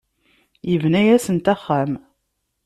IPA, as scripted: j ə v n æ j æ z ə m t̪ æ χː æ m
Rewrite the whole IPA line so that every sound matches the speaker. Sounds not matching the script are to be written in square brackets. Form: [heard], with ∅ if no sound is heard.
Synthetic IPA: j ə v n æ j æ [s] ə [n] t̪ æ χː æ m